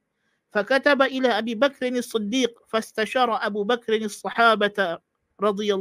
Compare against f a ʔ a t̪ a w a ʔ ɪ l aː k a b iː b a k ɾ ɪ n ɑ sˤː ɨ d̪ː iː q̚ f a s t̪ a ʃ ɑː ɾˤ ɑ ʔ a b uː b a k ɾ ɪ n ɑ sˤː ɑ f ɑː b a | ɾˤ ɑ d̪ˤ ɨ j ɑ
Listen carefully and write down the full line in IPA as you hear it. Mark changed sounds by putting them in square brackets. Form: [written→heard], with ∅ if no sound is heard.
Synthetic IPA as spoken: f a [ʔ→k] a t̪ a [w→b] a ʔ ɪ l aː [k→ʔ] a b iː b a k ɾ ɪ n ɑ sˤː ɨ d̪ː iː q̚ f a s t̪ a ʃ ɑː ɾˤ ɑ ʔ a b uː b a k ɾ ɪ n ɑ sˤː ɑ [f→ħ] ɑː b a | ɾˤ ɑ d̪ˤ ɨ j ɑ